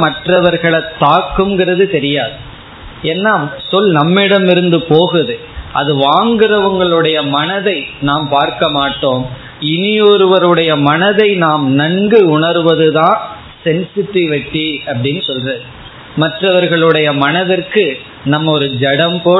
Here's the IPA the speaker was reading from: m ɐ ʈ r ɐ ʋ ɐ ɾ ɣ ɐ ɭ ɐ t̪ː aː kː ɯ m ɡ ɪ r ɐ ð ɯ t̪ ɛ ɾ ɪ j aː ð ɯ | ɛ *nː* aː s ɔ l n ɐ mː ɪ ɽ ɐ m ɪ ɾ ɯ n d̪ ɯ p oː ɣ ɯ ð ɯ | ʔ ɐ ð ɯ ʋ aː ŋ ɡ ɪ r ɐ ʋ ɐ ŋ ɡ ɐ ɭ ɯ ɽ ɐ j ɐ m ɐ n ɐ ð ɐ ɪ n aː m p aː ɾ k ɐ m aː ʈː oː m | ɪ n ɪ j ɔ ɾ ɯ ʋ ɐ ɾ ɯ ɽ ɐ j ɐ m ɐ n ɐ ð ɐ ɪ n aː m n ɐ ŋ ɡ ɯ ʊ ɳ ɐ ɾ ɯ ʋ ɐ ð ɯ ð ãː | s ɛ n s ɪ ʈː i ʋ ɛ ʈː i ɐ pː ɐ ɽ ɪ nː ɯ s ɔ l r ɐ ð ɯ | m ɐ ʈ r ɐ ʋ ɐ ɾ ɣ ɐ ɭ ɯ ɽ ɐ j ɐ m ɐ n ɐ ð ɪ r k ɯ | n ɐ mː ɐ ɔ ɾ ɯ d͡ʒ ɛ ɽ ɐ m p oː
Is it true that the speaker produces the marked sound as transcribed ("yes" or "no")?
yes